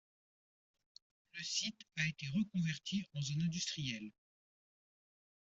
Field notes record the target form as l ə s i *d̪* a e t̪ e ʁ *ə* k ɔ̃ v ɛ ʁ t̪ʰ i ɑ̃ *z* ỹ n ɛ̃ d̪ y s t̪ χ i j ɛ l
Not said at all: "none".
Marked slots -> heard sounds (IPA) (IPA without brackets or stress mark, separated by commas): t̪, ə, z